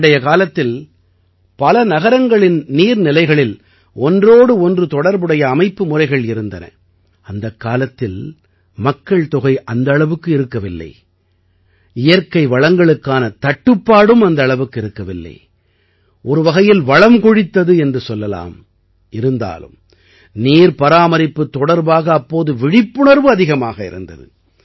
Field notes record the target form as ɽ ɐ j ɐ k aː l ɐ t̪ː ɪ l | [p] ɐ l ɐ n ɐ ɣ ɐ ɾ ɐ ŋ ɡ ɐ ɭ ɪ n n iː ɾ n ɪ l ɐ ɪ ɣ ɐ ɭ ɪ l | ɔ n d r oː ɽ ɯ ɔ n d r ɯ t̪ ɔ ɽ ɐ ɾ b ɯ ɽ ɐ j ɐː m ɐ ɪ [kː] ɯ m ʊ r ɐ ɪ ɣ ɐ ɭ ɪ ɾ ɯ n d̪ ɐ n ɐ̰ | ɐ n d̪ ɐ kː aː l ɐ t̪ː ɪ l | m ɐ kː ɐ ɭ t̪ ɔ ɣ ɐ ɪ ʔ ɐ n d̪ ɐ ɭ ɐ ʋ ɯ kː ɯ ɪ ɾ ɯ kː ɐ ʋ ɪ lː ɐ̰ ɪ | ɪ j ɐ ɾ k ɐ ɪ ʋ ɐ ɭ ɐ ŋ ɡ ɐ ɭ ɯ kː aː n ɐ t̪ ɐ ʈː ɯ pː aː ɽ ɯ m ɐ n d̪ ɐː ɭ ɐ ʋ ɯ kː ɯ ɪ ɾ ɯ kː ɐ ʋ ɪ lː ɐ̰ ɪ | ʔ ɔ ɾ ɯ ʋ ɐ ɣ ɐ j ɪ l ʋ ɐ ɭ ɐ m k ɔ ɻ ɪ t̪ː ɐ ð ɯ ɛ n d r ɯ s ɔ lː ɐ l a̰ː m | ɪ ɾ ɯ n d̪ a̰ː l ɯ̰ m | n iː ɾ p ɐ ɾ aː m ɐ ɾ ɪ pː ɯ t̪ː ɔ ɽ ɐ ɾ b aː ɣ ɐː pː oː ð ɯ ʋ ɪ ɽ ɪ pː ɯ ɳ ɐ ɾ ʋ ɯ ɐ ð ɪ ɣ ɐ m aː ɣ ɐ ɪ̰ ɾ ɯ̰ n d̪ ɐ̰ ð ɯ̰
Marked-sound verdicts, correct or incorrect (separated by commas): correct, incorrect